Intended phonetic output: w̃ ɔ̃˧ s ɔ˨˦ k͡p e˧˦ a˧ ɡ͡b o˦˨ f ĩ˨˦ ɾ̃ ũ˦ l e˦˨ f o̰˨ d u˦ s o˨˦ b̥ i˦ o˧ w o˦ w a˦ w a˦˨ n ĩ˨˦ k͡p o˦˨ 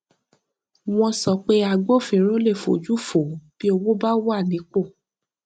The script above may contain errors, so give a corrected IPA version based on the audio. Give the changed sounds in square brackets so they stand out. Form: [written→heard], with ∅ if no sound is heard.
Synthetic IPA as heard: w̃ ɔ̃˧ s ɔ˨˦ k͡p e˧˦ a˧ ɡ͡b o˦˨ f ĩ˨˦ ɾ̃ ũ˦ l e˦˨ f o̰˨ [d→d͡ʒ] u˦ [s→f] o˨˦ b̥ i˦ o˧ w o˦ [w→b] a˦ w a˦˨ n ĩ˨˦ k͡p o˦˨